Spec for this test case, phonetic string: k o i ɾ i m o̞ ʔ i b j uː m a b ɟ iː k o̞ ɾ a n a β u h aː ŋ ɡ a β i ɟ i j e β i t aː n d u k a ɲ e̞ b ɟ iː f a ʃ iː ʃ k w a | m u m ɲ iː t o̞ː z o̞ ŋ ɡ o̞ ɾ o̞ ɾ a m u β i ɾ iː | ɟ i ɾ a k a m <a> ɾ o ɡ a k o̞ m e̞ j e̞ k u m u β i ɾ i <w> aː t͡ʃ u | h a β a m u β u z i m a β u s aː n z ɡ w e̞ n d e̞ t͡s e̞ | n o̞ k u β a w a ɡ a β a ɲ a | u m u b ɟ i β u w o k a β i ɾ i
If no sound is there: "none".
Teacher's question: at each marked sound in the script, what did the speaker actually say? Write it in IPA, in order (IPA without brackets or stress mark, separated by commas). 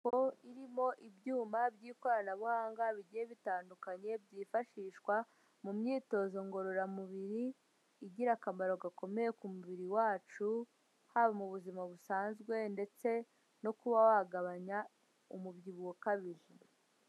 a, w